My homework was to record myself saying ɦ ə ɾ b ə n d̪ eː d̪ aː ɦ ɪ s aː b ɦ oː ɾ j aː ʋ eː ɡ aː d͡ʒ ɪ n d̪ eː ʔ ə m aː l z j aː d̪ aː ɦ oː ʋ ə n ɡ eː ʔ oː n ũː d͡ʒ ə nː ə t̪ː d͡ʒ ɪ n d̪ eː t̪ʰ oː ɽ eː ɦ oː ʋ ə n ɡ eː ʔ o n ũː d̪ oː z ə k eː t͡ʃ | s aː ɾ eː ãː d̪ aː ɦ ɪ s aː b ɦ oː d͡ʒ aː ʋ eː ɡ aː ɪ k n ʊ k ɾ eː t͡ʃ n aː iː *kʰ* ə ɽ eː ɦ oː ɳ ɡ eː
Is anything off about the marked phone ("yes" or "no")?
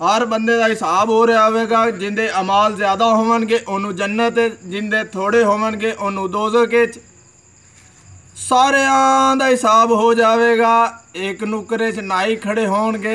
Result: no